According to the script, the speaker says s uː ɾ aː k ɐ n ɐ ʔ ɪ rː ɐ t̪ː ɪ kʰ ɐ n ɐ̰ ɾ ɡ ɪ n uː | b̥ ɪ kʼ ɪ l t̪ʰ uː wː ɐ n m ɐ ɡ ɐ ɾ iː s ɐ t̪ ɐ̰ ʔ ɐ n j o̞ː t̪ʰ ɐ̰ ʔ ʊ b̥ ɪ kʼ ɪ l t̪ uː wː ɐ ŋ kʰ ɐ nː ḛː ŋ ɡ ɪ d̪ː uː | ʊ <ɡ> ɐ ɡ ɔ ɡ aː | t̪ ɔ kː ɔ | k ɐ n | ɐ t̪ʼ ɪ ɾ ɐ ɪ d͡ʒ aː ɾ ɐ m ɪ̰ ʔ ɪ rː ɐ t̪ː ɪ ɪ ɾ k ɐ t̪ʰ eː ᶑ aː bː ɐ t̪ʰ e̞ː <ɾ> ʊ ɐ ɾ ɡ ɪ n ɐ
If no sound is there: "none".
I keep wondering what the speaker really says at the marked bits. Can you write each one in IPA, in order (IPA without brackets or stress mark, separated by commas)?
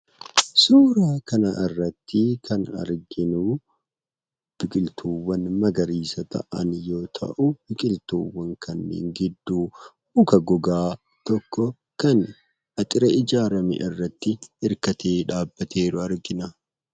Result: k, ɾ